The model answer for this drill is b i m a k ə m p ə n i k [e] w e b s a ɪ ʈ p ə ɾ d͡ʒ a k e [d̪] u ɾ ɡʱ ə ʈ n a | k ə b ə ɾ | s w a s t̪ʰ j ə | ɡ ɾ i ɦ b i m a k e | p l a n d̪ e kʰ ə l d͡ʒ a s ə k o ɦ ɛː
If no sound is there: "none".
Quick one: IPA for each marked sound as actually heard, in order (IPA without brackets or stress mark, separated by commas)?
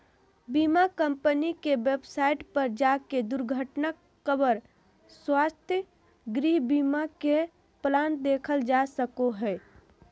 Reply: e, d̪